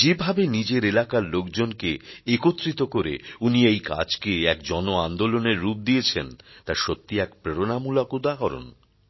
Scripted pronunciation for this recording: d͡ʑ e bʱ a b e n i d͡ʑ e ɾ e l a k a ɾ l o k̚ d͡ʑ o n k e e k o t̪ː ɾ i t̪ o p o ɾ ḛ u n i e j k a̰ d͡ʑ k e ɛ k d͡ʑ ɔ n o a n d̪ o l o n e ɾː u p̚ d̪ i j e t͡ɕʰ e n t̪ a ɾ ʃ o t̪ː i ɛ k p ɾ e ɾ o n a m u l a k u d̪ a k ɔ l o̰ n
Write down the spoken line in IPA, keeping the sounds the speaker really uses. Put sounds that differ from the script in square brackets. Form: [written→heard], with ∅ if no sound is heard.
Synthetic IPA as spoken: d͡ʑ e bʱ a b e n i d͡ʑ e ɾ e l a k a ɾ l o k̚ d͡ʑ o n k e e k o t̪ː ɾ i t̪ o [p→k] o ɾ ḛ u n i e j k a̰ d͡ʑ k e ɛ k d͡ʑ ɔ n o a n d̪ o l o n e ɾː u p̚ d̪ i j e t͡ɕʰ e n t̪ a ɾ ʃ o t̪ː i ɛ k p ɾ e ɾ o n a m u l a k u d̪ a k ɔ [l→ɾ] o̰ n